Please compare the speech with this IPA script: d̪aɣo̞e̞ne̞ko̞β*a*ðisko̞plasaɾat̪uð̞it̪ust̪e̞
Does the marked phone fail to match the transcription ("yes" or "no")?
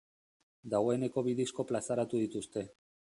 yes